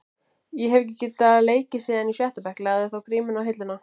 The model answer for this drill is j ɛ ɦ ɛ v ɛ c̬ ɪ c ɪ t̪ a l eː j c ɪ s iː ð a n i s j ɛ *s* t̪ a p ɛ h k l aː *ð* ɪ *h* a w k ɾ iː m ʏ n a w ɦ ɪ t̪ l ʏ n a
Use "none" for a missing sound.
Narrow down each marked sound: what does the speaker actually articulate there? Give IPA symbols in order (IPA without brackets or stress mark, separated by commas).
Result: h, ð, θ